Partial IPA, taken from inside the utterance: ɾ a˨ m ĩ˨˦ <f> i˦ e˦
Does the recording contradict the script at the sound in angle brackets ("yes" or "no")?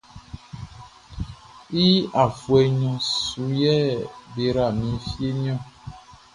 no